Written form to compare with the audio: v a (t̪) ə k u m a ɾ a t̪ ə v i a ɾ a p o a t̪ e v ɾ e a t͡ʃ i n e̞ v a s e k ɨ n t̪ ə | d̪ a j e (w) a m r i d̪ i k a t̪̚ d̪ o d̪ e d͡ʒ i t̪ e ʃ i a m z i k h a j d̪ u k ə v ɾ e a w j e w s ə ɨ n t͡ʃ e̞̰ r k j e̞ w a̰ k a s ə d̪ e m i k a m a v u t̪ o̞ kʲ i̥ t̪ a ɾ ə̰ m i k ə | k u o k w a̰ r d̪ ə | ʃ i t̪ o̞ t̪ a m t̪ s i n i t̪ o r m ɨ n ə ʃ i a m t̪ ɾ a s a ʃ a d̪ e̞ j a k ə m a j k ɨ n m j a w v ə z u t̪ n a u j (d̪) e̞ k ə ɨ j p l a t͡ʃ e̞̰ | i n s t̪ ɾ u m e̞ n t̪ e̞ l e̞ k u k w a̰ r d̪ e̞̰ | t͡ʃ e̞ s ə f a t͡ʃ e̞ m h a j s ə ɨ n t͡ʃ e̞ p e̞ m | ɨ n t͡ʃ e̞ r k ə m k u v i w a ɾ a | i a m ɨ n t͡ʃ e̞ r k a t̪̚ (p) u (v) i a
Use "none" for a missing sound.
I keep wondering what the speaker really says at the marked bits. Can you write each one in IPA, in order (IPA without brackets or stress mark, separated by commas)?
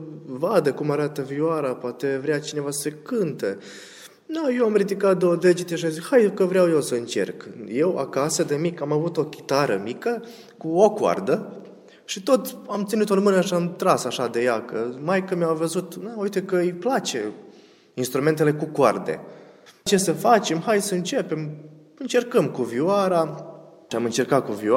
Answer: d̪, w, t̪, k, v